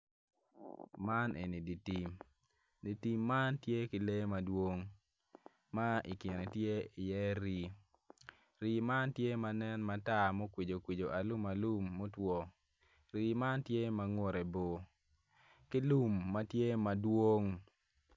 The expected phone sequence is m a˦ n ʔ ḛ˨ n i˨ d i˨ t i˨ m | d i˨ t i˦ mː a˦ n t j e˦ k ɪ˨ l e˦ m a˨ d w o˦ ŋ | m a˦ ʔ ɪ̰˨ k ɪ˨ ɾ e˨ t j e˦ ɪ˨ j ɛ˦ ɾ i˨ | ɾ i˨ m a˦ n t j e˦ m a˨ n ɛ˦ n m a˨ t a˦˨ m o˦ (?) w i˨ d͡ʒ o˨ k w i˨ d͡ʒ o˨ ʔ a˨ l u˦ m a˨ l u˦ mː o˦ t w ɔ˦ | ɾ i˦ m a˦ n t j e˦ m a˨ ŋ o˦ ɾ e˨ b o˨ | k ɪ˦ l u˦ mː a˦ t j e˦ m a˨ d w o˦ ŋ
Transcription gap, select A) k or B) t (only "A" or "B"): A